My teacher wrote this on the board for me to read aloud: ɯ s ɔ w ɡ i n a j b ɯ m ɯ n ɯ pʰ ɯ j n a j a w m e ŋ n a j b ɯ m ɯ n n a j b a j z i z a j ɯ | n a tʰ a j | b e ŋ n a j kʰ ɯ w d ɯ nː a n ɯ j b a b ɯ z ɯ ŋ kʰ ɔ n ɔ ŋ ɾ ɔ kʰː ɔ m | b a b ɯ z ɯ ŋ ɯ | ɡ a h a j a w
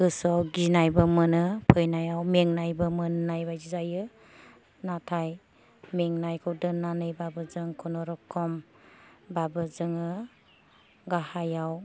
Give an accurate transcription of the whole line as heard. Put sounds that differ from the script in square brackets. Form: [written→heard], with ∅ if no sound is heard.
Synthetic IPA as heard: ɯ s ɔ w ɡ i n a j b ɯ m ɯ n ɯ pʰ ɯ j n a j a w m e ŋ n a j b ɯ m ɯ n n a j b a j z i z a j ɯ | n a tʰ a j | [b→m] e ŋ n a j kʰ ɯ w d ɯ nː a n ɯ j b a b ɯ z ɯ ŋ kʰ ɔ n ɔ [ŋ→∅] ɾ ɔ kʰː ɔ m | b a b ɯ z ɯ ŋ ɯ | ɡ a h a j a w